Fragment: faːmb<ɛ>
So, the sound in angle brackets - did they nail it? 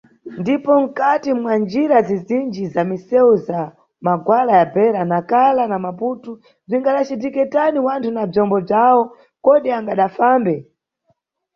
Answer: yes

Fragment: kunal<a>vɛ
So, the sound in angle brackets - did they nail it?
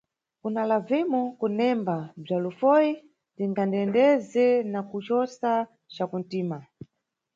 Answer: yes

